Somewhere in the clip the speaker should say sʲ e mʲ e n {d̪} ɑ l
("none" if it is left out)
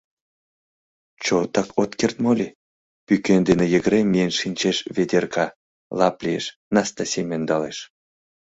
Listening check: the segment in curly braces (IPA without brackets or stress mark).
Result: d̪